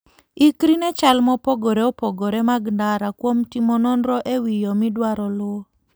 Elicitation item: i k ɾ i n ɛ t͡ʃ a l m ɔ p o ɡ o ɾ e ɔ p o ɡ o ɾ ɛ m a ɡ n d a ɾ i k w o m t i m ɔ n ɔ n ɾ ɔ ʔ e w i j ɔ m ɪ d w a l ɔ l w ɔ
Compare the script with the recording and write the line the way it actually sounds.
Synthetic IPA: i k ɾ i n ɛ t͡ʃ a l m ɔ p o ɡ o ɾ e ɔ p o ɡ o ɾ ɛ m a ɡ n d a ɾ a k w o m t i m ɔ n ɔ n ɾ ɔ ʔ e w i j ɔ m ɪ d w a ɾ ɔ l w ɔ